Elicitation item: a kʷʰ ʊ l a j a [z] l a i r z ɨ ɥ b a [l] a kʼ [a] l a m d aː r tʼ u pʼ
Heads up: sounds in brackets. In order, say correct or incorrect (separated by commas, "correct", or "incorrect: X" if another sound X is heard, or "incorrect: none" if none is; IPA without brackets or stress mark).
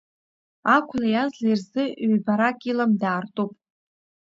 correct, incorrect: ɾ, incorrect: i